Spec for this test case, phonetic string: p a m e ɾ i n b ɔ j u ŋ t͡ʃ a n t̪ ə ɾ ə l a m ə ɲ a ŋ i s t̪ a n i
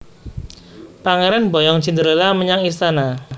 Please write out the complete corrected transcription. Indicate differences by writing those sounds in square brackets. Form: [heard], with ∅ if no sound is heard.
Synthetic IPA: p a [ŋ] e ɾ [a] n b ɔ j [ɔ] ŋ t͡ʃ [i] n [d̪] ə ɾ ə l a m ə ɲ a ŋ i s t̪ a n [a]